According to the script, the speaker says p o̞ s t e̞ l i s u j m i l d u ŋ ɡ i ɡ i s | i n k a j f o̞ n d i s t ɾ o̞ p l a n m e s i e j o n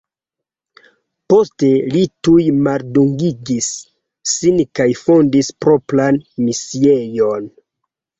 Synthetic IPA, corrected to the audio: p o̞ s t e̞ l i t u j m a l d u ŋ ɡ i ɡ i sː | i n k a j f o̞ n d i s p ɾ o̞ p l a n m i s i e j o n